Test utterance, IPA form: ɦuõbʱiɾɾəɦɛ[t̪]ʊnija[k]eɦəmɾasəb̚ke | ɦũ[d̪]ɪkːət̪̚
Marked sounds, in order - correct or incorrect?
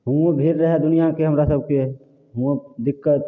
incorrect: d̪, correct, correct

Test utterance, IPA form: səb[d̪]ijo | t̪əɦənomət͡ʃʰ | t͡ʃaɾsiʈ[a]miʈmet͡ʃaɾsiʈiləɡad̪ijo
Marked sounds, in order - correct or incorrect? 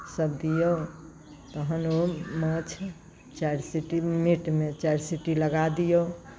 correct, incorrect: i

